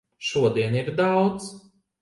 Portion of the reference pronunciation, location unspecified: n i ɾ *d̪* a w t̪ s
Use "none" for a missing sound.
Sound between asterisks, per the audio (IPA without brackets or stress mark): d̪